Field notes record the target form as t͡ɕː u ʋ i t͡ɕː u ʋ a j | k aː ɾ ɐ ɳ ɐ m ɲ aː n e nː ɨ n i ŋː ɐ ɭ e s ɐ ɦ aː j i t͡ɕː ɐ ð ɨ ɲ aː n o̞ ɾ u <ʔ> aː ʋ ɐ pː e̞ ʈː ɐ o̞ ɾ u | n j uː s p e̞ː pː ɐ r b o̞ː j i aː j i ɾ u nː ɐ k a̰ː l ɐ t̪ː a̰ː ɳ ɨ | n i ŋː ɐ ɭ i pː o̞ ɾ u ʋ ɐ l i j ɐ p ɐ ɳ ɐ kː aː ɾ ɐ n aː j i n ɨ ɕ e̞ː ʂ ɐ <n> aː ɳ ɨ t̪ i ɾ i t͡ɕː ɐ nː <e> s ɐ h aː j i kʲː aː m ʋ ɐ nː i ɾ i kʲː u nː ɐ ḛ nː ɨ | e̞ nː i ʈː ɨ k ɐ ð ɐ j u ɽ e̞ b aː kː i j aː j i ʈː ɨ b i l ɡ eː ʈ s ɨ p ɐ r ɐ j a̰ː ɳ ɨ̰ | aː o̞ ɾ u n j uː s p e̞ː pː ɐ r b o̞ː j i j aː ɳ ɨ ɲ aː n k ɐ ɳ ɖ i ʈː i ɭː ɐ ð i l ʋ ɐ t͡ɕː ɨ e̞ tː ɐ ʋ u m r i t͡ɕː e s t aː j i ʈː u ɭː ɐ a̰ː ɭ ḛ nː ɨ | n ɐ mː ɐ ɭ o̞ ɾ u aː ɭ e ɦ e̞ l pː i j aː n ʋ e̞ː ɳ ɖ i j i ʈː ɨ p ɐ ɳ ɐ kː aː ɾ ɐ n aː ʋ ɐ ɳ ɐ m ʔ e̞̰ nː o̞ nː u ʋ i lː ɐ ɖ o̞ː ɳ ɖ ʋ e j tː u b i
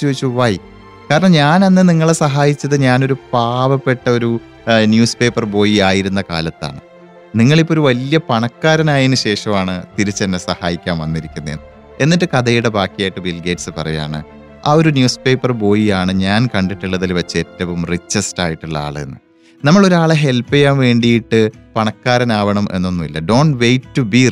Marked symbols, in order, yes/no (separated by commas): no, no, yes